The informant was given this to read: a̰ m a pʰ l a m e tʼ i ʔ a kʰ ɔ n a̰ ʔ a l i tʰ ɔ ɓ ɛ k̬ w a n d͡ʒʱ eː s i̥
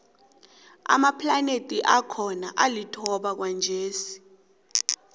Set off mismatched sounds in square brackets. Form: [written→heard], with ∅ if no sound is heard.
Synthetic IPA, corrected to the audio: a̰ m a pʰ l a [m→n] e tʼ i ʔ a kʰ ɔ n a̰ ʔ a l i tʰ ɔ ɓ [ɛ→a] k̬ w a n d͡ʒʱ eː s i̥